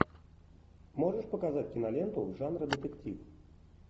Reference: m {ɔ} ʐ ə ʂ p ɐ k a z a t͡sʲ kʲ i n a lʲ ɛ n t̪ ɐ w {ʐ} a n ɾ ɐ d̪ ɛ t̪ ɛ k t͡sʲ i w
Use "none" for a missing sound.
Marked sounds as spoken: ɔ, ʐ

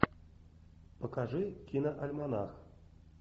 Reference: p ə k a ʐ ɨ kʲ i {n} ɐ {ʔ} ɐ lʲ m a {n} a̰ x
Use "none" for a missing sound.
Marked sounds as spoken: n, ʔ, n

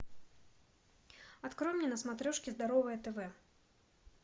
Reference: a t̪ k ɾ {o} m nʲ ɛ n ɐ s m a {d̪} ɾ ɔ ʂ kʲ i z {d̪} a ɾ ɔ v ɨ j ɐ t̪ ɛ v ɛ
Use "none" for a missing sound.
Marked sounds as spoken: ɔ, t̪, d̪

